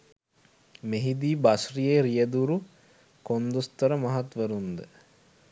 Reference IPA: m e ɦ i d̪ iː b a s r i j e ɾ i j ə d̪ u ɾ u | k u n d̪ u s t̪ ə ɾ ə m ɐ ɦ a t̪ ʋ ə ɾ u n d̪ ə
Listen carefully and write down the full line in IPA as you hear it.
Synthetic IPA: m e ɦ i d̪ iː b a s r i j e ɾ i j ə d̪ u ɾ u | k o n d̪ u s t̪ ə ɾ ə m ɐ ɦ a t̪ ʋ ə ɾ u n d̪ ə